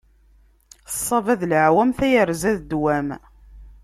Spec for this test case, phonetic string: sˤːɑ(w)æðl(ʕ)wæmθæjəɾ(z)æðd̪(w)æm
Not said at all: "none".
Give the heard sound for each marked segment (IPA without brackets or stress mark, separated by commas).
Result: v, ʕ, z, w